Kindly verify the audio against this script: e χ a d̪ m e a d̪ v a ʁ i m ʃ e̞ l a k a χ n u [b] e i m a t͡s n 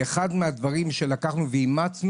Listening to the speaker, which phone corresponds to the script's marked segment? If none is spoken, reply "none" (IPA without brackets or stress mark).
v